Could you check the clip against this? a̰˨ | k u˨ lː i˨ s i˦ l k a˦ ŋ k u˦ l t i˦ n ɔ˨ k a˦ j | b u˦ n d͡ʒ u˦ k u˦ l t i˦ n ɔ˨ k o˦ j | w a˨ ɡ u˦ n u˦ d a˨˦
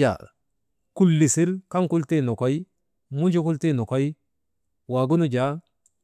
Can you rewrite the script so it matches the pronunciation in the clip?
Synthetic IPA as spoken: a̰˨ | k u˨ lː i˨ s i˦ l k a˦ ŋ k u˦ l t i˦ n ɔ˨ k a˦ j | m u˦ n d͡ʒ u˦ k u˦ l t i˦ n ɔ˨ k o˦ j | w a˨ ɡ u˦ n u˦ d͡ʒ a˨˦